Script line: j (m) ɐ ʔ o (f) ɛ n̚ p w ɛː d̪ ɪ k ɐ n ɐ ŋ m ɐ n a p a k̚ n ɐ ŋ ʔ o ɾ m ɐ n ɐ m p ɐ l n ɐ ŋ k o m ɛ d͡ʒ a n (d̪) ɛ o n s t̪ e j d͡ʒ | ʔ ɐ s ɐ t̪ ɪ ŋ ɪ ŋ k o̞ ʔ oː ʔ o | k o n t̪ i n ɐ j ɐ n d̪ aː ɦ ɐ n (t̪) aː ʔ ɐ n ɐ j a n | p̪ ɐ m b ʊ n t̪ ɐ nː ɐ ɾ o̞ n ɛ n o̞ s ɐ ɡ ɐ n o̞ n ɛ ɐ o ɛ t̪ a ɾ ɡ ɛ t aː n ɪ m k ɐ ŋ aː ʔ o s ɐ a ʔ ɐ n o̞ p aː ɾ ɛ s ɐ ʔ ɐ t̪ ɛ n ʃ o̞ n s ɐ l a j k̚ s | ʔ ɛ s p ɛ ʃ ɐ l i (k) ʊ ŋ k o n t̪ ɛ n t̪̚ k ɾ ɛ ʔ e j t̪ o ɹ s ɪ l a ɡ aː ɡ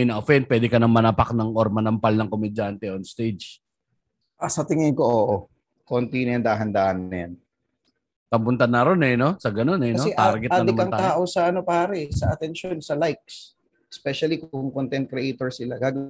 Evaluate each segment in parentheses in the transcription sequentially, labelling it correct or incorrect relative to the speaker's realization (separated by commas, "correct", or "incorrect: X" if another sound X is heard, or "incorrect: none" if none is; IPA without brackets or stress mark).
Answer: incorrect: n, correct, incorrect: t̪, incorrect: d̪, correct